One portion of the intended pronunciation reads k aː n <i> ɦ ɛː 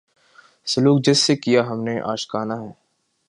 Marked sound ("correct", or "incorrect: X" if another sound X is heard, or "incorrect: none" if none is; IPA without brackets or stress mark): incorrect: a